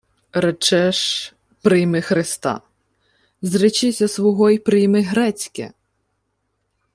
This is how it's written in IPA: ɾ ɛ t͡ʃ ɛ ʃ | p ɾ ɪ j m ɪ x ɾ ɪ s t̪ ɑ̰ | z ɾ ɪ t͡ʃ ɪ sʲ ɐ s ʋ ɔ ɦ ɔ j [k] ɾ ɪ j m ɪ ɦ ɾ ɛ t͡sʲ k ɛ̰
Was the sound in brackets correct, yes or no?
no